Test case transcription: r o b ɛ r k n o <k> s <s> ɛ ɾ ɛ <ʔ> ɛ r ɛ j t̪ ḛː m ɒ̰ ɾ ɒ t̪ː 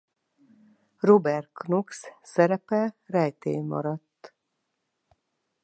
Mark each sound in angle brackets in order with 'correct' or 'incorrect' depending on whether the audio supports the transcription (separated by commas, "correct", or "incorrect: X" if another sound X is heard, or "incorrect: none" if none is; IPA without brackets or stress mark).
correct, correct, incorrect: p